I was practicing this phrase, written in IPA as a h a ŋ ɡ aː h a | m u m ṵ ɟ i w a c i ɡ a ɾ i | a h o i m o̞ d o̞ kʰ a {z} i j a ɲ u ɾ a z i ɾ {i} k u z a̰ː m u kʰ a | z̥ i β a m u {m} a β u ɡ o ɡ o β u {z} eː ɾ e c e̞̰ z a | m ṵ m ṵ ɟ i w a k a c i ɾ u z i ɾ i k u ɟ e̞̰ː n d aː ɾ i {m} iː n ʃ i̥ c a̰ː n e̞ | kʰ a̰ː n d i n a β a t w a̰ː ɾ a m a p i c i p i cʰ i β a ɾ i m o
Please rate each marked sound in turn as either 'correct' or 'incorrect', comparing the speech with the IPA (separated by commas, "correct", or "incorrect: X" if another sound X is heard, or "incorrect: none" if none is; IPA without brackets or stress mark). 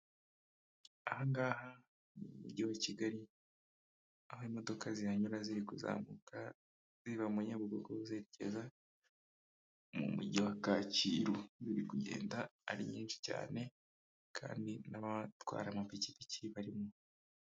correct, correct, incorrect: ɲ, correct, incorrect: ɲ